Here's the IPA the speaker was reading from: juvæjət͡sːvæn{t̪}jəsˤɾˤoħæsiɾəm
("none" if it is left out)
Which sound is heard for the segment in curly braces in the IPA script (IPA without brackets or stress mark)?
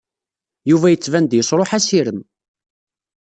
d̪